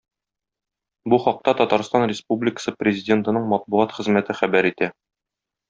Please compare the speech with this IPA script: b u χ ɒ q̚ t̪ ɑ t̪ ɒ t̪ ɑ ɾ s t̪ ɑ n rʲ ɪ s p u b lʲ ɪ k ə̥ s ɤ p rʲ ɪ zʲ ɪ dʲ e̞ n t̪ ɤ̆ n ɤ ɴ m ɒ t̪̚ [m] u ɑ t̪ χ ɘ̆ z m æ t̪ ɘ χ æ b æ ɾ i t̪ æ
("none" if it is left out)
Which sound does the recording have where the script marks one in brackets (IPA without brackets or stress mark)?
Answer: b